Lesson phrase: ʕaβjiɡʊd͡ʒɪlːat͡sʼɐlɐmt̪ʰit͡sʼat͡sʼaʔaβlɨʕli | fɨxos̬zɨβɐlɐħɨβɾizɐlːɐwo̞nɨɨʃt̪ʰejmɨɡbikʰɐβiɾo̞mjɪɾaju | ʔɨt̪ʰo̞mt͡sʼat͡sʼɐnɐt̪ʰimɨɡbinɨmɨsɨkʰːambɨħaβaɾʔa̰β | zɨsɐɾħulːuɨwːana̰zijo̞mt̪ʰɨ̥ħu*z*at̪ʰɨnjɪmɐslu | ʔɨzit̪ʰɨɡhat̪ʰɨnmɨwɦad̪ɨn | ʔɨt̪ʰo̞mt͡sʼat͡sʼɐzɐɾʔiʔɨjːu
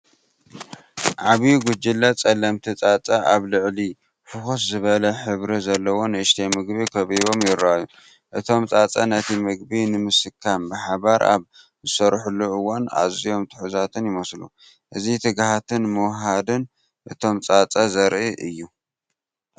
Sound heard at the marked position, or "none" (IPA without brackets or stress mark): z